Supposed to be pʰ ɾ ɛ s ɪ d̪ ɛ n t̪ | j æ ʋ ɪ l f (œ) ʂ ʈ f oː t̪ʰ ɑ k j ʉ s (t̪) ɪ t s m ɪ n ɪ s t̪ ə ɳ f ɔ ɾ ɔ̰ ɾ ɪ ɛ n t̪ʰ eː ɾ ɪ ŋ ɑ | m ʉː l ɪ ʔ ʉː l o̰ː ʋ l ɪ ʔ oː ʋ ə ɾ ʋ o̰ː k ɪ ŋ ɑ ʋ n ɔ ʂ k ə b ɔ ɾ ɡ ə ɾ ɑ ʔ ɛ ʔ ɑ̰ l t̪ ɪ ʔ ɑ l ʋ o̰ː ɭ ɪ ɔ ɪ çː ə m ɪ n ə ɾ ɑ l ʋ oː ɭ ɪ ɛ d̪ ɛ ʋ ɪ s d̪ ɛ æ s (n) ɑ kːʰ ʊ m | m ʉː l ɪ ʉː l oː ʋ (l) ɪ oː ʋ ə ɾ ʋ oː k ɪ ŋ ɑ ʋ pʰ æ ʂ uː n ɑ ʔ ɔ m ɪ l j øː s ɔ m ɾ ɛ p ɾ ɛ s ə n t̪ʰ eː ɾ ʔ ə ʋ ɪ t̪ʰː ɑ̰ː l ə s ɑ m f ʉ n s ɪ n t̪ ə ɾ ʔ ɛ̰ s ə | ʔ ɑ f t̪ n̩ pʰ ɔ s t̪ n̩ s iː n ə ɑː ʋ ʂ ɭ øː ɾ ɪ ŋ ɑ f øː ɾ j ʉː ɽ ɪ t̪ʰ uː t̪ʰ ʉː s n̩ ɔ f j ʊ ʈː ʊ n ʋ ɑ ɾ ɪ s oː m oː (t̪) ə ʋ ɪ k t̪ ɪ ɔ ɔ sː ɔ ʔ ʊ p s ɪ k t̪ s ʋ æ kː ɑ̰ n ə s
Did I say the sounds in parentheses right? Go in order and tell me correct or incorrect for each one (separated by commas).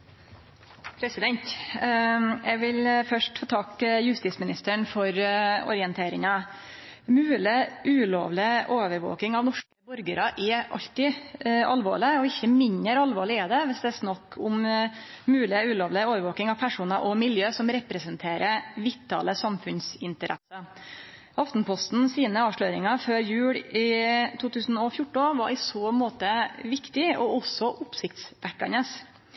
correct, correct, correct, correct, correct